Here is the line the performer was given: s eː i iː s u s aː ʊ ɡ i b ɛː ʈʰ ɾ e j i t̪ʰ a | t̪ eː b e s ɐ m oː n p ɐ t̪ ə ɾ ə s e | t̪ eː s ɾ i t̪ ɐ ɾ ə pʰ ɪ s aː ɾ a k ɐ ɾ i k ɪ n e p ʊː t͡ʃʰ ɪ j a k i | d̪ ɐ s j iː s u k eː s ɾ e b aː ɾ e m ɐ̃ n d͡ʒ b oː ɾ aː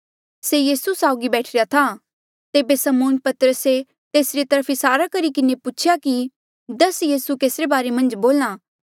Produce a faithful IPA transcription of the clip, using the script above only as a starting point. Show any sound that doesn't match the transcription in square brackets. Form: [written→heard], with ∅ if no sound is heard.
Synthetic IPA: s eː [i→j] iː s u s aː ʊ ɡ i b ɛː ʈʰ ɾ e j [i→a] t̪ʰ a | t̪ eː b e s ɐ m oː n p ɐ t̪ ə ɾ ə s e | t̪ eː s ɾ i t̪ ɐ ɾ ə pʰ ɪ s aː ɾ a k ɐ ɾ i k ɪ n e p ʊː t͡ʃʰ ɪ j a k i | d̪ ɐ s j iː s u k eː s ɾ e b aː ɾ e m ɐ̃ n d͡ʒ b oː [ɾ→l] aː